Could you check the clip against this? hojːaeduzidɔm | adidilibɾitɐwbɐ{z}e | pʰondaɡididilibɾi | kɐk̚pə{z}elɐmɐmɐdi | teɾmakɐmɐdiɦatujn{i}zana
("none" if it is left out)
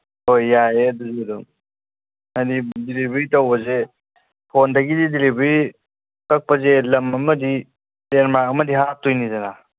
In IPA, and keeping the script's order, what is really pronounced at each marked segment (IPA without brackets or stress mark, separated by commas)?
z, z, i